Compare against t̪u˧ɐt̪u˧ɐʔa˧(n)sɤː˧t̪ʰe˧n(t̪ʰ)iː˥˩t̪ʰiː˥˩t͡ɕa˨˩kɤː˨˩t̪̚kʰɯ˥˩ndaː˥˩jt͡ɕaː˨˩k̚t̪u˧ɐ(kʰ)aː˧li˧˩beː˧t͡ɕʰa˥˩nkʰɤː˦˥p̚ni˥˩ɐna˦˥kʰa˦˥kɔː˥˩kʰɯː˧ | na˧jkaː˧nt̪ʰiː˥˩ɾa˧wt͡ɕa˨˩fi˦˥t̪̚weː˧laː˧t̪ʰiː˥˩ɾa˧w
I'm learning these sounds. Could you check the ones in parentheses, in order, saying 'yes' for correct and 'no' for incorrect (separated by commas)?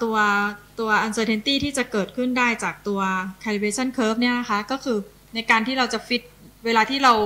yes, no, yes